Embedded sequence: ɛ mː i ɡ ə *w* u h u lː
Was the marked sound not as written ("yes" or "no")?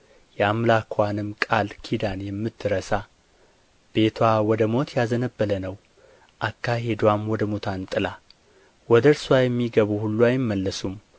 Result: yes